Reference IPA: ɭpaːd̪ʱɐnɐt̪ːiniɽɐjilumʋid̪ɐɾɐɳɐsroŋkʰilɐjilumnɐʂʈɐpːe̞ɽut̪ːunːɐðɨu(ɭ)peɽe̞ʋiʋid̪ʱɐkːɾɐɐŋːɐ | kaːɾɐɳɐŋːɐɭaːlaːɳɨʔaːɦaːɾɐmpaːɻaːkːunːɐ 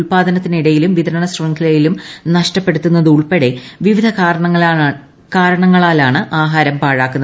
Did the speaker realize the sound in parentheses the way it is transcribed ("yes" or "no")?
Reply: yes